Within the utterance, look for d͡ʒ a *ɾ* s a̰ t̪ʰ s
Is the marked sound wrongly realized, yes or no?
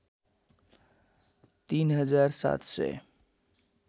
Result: no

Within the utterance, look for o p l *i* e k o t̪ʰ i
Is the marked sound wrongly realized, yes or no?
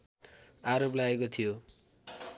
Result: yes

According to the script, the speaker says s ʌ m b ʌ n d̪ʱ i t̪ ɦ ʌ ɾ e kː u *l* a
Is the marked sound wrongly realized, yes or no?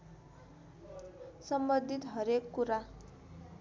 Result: yes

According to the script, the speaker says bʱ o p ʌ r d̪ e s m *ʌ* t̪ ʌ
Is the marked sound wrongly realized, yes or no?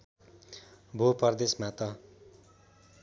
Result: yes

